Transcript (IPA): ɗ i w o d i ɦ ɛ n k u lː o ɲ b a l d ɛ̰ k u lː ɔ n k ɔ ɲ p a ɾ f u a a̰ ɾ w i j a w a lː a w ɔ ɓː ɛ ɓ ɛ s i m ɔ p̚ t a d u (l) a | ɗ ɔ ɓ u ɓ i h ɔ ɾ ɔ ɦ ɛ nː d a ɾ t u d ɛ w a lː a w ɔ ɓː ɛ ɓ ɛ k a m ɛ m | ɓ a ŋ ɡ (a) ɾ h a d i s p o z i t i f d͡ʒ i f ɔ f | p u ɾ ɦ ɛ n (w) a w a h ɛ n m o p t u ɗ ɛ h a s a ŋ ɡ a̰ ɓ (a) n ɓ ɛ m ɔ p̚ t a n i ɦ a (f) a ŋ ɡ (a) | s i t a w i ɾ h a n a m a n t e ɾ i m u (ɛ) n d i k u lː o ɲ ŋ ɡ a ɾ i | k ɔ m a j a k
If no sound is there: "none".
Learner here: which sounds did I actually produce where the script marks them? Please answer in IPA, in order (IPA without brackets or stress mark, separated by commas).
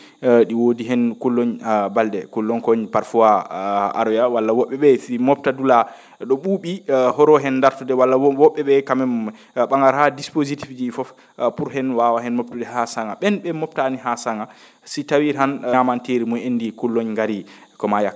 l, a, w, ɛ, s, a, e